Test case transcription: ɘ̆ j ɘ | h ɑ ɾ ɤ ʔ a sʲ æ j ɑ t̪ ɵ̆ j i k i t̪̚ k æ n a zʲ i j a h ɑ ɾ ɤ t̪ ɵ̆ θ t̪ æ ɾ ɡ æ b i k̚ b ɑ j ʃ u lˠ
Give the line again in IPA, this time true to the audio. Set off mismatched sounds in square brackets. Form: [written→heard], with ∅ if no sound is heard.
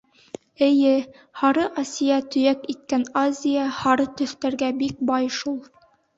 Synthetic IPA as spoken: ɘ̆ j ɘ | h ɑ ɾ ɤ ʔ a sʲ [æ→i] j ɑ t̪ ɵ̆ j [i→æ] k i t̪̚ k æ n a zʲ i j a h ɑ ɾ ɤ t̪ ɵ̆ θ t̪ æ ɾ ɡ æ b i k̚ b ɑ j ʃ u lˠ